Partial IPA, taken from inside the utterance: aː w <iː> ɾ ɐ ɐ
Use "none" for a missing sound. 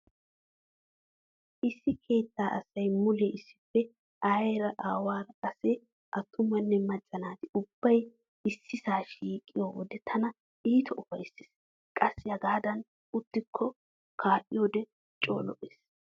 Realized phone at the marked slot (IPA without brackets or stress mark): aː